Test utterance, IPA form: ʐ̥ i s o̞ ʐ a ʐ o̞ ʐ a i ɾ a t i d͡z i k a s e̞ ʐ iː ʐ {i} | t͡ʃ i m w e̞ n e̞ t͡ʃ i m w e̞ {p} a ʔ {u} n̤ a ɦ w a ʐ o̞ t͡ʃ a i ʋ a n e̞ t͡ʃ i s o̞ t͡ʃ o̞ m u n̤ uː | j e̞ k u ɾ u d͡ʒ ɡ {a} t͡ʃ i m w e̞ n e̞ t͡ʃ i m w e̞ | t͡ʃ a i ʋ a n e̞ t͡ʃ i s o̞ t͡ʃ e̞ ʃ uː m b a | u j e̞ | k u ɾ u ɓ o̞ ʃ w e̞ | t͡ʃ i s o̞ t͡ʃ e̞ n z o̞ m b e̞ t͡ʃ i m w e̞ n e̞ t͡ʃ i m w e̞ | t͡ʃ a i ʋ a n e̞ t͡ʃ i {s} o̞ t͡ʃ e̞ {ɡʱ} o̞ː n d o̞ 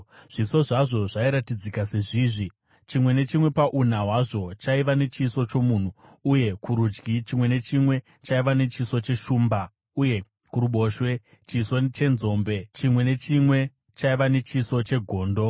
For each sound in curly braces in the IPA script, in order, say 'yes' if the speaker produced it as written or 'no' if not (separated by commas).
yes, yes, yes, no, yes, yes